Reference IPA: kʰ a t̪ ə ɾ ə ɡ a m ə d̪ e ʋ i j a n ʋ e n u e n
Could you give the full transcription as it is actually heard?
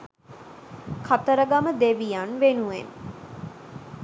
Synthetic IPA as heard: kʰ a t̪ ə ɾ ə ɡ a m ə d̪ e ʋ i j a n ʋ e n u e n